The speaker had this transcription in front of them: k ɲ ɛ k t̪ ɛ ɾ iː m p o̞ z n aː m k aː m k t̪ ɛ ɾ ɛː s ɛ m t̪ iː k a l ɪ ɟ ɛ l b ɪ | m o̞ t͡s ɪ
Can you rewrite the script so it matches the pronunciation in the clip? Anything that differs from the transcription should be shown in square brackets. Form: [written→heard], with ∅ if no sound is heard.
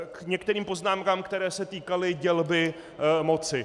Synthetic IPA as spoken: k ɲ ɛ k t̪ ɛ ɾ iː m p o̞ z n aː m k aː m k t̪ ɛ ɾ ɛː s ɛ [m→∅] t̪ iː k a l ɪ ɟ ɛ l b ɪ | m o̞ t͡s ɪ